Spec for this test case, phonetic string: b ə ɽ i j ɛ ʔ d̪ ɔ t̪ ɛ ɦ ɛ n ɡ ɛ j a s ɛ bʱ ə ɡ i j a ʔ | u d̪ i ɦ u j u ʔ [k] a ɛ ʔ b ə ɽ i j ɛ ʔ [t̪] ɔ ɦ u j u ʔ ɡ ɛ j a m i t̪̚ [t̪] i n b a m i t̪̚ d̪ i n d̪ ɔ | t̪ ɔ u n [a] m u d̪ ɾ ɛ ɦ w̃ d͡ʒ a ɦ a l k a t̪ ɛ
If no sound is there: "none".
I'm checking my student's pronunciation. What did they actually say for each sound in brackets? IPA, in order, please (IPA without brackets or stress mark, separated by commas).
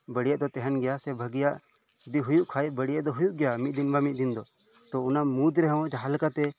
kʰ, d̪, d̪, a